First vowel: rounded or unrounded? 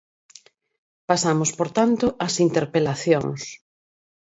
unrounded